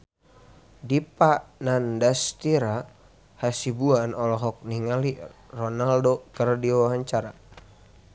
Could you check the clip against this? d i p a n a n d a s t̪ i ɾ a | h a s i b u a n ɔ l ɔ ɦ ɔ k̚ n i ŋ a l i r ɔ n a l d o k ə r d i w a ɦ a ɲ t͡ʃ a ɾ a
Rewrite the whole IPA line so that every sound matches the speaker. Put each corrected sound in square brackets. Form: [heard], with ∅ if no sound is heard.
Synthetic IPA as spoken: d i p a n a n d a s t̪ i ɾ a | h a s i b u a n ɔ l ɔ ɦ ɔ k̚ n i ŋ a l i r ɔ n a l d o k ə r d i w a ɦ a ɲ t͡ʃ a ɾ a